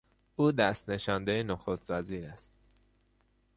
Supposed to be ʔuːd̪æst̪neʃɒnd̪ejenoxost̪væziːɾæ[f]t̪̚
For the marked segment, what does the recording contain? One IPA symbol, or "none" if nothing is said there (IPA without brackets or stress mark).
s